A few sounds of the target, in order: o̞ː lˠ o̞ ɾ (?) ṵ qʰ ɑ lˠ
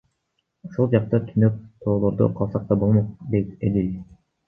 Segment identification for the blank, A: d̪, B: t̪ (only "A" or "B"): A